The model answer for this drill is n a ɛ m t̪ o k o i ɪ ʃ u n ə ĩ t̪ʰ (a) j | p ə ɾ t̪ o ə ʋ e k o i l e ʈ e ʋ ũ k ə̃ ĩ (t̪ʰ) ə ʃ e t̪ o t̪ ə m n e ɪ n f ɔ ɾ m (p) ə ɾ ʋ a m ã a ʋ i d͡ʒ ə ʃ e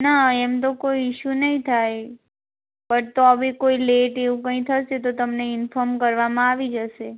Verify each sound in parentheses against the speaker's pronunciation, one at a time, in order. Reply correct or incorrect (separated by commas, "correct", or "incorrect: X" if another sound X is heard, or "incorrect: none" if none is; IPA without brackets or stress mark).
correct, correct, incorrect: k